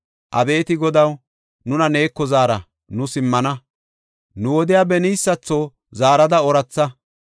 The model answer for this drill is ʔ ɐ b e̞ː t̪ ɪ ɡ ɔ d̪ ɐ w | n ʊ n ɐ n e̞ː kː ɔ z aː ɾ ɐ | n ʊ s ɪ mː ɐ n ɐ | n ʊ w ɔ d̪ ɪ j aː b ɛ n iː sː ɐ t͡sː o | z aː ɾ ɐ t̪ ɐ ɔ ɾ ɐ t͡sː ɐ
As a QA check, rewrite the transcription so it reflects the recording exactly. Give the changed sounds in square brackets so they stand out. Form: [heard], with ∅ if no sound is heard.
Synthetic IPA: ʔ ɐ b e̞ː t̪ ɪ ɡ ɔ d̪ ɐ w | n ʊ n ɐ n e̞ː kː ɔ z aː ɾ ɐ | n ʊ s ɪ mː ɐ n ɐ | n ʊ w ɔ d̪ ɪ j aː b ɛ n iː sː ɐ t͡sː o | z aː ɾ ɐ [d̪] ɐ ɔ ɾ ɐ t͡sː ɐ